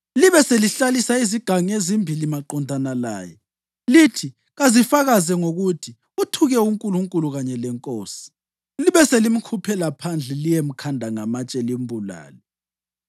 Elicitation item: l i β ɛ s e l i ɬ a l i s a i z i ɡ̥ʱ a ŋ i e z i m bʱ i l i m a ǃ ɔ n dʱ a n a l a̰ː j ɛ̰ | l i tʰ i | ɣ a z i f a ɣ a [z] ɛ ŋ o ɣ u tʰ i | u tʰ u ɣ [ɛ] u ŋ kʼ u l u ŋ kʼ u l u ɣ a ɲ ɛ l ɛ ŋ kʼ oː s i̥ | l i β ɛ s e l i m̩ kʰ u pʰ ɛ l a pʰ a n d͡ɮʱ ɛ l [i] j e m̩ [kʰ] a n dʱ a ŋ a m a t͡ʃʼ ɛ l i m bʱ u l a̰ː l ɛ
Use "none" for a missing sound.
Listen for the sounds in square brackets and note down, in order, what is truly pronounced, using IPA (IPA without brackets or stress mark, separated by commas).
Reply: z, ɛ, i, kʰ